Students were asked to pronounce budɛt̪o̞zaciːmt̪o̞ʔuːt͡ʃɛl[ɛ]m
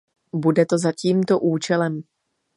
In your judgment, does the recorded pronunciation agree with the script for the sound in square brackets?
yes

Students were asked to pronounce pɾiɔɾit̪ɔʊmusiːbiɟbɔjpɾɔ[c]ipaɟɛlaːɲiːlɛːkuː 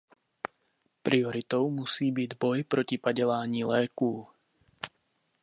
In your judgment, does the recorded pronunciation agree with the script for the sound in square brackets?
yes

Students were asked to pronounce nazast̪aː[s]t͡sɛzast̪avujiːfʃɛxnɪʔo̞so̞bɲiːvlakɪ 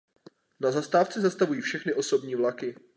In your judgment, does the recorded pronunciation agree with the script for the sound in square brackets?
no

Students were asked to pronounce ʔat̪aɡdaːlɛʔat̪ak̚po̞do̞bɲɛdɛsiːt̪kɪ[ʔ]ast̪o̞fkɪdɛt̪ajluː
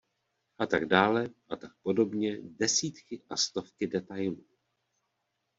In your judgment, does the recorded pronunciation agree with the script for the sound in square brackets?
yes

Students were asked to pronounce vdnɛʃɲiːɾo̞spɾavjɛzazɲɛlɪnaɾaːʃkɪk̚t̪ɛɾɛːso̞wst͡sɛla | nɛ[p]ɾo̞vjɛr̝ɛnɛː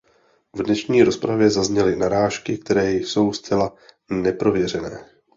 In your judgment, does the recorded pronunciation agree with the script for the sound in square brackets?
yes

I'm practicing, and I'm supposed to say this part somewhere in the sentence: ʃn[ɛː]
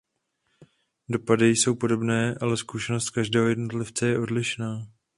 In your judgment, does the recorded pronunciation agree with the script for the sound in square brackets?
no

